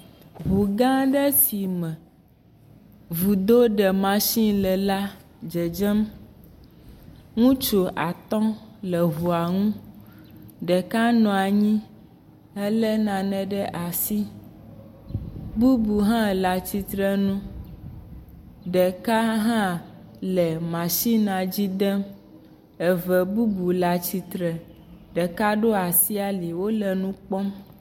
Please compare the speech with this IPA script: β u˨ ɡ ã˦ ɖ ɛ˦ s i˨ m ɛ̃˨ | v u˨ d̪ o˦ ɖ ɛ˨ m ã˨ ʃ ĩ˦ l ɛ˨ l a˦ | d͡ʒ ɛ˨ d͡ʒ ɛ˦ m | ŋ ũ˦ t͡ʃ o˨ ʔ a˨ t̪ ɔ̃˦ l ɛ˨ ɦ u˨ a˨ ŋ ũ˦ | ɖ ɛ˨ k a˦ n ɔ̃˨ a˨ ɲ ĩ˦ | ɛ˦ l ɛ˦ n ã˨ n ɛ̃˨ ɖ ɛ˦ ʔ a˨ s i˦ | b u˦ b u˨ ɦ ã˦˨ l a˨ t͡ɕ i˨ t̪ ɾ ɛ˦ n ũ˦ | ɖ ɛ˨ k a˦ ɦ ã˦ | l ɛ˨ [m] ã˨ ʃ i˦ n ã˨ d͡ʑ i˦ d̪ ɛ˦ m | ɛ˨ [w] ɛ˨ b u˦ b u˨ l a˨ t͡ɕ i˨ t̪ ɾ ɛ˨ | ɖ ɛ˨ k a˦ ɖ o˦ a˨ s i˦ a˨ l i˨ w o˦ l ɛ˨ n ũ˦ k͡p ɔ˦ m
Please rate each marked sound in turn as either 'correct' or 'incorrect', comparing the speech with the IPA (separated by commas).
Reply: correct, incorrect